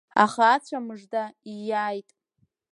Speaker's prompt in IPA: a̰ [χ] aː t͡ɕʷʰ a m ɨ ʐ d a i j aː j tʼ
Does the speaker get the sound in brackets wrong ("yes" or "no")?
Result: no